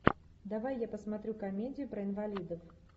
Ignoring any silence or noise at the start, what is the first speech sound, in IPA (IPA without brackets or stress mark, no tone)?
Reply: d̪